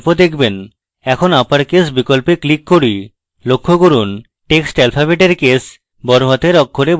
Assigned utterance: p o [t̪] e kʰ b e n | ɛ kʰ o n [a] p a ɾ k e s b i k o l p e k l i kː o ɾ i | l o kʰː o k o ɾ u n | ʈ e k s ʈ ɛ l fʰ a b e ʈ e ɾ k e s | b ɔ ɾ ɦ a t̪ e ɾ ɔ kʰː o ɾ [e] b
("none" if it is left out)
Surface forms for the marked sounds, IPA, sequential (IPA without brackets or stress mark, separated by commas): d̪, a, e